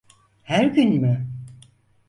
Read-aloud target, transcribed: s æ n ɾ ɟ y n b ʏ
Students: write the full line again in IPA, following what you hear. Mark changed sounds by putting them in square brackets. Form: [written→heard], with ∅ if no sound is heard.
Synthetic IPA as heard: [s→h] æ [n→∅] ɾ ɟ y n [b→m] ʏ

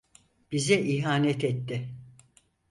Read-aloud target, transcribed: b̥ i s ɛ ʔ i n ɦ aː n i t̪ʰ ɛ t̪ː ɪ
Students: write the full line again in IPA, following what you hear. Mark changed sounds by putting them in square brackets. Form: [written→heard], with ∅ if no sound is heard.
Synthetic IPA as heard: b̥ i [s→z] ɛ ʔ i [n→∅] ɦ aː n [i→ɛ] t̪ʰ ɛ t̪ː ɪ

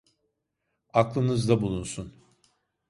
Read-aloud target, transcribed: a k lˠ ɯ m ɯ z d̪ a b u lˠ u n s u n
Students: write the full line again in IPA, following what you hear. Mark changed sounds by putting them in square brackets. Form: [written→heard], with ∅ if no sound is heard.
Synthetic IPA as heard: a k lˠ ɯ [m→n] ɯ z d̪ a b u lˠ u n s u n

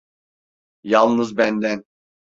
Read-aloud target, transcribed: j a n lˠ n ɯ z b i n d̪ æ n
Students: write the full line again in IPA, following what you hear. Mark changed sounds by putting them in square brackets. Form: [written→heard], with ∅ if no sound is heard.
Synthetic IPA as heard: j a [n→∅] lˠ n ɯ z b [i→æ] n d̪ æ n

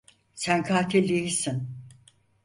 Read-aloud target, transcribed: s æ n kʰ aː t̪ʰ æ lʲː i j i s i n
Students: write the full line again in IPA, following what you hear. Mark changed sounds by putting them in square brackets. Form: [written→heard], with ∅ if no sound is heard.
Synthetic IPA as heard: s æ n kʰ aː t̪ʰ [æ→i] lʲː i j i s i n

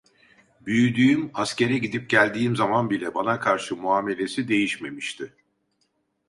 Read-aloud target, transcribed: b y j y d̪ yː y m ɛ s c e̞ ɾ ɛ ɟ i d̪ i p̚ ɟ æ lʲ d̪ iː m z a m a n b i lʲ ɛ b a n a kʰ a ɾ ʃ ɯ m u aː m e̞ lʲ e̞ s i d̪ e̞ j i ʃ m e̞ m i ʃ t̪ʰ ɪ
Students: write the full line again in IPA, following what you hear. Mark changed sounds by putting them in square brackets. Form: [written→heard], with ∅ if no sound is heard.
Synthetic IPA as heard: b y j y d̪ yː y m [ɛ→a] s c e̞ ɾ ɛ ɟ i d̪ i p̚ ɟ æ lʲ d̪ iː m z a m a n b i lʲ ɛ b a n a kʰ a ɾ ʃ ɯ m u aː m e̞ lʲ e̞ s i d̪ e̞ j i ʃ m e̞ m i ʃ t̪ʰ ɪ

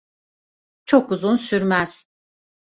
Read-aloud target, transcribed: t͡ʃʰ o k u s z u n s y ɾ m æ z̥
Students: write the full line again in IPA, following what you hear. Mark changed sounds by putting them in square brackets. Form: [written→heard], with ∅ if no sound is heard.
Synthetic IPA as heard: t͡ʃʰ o k u [s→∅] z u n s y ɾ m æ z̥

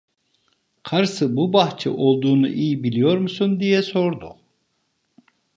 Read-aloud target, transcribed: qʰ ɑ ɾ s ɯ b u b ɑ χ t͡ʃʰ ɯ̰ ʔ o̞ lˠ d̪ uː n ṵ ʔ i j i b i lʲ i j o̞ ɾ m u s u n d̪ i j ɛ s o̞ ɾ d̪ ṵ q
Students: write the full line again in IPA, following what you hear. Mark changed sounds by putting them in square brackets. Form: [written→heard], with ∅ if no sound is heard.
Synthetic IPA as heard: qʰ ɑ ɾ s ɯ b u b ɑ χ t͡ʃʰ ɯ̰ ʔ o̞ lˠ d̪ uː n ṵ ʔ i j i b i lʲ i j o̞ ɾ m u s u n d̪ i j ɛ s o̞ ɾ d̪ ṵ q

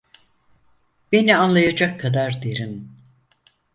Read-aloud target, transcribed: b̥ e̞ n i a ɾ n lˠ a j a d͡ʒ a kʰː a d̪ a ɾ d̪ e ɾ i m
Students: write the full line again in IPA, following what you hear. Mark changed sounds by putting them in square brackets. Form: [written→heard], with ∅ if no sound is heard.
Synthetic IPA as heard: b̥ e̞ n i a [ɾ→∅] n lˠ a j a d͡ʒ a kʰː a d̪ a ɾ d̪ e ɾ i m

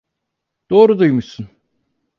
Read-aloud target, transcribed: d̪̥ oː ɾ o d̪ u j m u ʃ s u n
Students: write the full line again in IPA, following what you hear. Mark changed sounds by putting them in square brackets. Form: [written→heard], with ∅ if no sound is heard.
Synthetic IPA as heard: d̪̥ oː ɾ [o→u] d̪ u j m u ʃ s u n

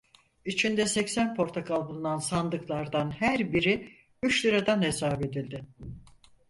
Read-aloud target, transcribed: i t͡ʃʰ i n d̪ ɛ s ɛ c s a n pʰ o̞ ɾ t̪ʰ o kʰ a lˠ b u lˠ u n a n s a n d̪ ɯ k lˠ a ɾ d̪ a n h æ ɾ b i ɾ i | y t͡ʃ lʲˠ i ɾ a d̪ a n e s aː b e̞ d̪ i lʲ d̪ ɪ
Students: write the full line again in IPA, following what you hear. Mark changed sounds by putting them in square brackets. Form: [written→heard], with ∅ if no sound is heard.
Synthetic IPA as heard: i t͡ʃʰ i n d̪ ɛ s ɛ c s [a→æ] n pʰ o̞ ɾ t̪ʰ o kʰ a lˠ b u lˠ u n a n s a n d̪ ɯ k lˠ a ɾ d̪ a n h æ ɾ b i ɾ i | y t͡ʃ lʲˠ i ɾ a d̪ a n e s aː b e̞ d̪ i lʲ d̪ ɪ

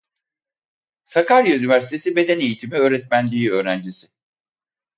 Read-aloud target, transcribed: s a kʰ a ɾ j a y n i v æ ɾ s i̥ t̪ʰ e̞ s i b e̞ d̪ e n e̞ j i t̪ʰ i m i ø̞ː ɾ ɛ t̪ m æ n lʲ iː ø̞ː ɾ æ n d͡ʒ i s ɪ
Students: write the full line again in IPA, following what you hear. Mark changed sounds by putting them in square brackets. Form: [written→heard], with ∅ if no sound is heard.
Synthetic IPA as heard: s a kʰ a ɾ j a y n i v æ ɾ s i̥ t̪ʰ e̞ s i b e̞ d̪ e n e̞ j i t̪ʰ i m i ø̞ː ɾ ɛ t̪ m æ n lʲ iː ø̞ː ɾ æ n d͡ʒ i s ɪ

